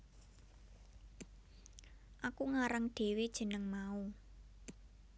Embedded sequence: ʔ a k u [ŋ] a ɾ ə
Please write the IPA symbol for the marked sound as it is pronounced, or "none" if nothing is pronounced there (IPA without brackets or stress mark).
ŋ